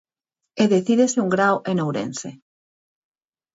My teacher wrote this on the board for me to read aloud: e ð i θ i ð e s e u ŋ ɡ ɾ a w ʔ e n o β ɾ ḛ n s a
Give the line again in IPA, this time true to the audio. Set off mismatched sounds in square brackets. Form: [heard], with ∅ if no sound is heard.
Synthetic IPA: e ð [e] θ i ð e s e u ŋ ɡ ɾ a w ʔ e n o [w] ɾ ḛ n s [e]